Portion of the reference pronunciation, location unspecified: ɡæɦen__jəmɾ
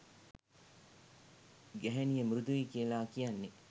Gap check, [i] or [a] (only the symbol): i